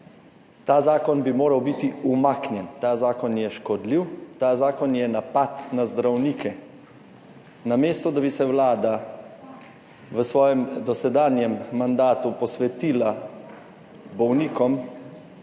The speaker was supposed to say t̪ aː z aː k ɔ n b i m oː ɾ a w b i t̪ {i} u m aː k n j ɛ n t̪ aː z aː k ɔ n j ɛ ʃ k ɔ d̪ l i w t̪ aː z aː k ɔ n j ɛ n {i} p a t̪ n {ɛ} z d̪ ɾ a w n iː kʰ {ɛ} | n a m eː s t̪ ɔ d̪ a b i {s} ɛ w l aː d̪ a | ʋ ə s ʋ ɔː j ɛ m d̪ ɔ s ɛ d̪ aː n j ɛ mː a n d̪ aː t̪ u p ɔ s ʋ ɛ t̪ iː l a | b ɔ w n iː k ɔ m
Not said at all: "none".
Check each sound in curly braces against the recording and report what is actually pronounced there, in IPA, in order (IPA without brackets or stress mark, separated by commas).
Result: i, a, a, ɛ, s